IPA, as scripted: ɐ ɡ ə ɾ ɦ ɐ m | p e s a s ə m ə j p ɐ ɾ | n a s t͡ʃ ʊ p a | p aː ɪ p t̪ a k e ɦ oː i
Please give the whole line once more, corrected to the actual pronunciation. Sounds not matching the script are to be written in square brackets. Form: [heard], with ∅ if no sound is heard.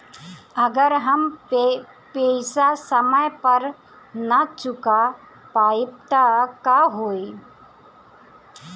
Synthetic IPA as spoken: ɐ ɡ ə ɾ ɦ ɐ m | p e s a s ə m ə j p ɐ ɾ | n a [∅] t͡ʃ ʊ [k] a | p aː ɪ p t̪ a k [a] ɦ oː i